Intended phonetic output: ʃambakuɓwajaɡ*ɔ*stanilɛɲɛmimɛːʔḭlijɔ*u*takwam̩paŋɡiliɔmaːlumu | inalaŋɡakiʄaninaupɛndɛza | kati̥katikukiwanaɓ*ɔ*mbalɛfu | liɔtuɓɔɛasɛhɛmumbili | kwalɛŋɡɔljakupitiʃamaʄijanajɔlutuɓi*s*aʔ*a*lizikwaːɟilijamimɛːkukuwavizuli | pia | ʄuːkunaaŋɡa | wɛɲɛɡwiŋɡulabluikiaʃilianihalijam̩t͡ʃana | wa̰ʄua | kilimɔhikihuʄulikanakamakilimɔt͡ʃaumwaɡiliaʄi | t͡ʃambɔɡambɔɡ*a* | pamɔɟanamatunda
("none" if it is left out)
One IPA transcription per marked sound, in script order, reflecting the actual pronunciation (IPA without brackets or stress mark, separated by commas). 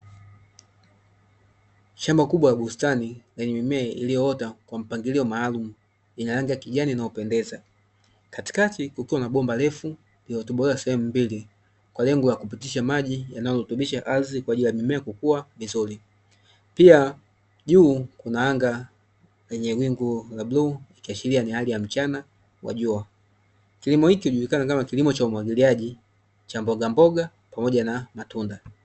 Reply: u, ɔ, ɔ, ʃ, a, a